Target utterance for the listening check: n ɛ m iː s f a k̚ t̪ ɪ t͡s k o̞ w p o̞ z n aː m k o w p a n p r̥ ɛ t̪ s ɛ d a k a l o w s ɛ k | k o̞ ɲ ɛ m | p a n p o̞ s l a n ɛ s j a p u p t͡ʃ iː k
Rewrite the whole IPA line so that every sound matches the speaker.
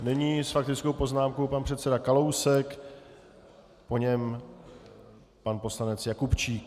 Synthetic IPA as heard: n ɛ ɲ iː s f a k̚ t̪ ɪ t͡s k o̞ w p o̞ z n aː m k o w p a n p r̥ ɛ t̪ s ɛ d a k a l o w s ɛ k | p o̞ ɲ ɛ m | p a n p o̞ s l a n ɛ t͡s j a k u p t͡ʃ iː k